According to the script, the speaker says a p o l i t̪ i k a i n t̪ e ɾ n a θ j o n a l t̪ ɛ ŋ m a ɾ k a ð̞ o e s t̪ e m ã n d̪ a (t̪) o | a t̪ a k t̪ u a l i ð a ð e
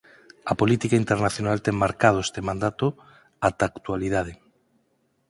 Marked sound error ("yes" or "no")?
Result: no